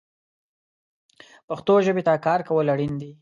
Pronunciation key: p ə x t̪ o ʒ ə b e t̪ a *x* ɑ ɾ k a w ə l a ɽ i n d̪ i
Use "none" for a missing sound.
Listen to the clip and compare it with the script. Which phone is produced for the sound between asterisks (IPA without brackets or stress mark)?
k